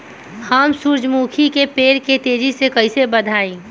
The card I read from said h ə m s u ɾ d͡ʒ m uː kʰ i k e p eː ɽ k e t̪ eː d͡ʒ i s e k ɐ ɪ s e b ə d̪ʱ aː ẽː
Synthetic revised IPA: h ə m s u ɾ d͡ʒ m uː kʰ i k e p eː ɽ k e t̪ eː d͡ʒ i s e k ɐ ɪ s e b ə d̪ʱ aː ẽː

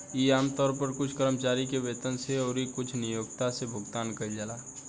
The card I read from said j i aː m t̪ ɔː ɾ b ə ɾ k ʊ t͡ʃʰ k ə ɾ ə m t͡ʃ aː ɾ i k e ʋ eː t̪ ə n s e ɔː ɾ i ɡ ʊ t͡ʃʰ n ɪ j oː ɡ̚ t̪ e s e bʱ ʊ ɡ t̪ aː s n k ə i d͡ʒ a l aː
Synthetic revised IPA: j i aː m t̪ ɔː ɾ p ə ɾ k ʊ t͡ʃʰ k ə ɾ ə m t͡ʃ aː ɾ i k e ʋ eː t̪ ə n s e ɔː ɾ i k ʊ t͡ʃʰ n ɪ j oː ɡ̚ t̪ a s e bʱ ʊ ɡ t̪ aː n k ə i d͡ʒ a l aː

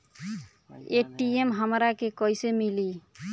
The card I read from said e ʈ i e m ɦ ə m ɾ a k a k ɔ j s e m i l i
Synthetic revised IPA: e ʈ i e m ɦ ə m ɾ a k e k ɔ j s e m i l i

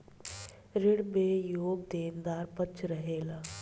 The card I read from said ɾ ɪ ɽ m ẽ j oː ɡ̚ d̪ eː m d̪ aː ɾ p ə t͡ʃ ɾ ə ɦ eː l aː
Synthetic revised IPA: ɾ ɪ ɽ m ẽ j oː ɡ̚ d̪ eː n d̪ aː ɾ p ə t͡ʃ ɾ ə ɦ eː l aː

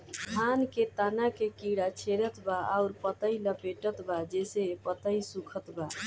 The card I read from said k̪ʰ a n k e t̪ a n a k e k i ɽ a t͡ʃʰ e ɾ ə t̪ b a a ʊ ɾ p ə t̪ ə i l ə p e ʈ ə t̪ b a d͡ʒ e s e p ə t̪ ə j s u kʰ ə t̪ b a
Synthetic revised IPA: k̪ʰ a n k e t̪ a n a k e k i ɽ a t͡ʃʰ e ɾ ə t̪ b a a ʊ ɾ p ə t̪ ə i l ə p e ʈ ə t̪ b a d͡ʒ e s e p ə t̪ ə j s u kʰ ə t̪ b a

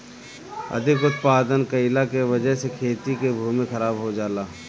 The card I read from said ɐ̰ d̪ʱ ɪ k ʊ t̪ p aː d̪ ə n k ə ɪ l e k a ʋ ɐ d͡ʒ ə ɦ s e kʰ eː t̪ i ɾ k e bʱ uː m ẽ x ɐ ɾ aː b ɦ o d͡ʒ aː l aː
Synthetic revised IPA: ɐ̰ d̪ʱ ɪ k ʊ t̪ p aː d̪ ə n k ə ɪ l a k e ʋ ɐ d͡ʒ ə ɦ s e kʰ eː t̪ i k e bʱ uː m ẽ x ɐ ɾ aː b ɦ o d͡ʒ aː l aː

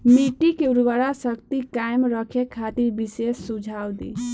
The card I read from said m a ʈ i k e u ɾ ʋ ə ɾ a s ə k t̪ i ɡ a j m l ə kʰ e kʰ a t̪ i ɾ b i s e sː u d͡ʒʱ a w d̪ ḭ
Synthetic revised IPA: m i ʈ i k e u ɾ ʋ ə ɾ a s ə k t̪ i k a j m ɾ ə kʰ e kʰ a t̪ i ɾ b i s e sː u d͡ʒʱ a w d̪ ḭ

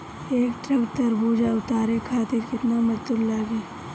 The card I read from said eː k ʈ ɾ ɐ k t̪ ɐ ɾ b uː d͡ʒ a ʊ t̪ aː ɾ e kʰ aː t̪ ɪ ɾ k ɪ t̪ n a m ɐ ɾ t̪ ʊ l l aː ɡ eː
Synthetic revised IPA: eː k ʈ ɾ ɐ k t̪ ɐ ɾ b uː d͡ʒ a ʊ t̪ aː ɾ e kʰ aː t̪ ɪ ɾ k ɪ t̪ n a m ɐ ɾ t̪ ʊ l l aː ɡ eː

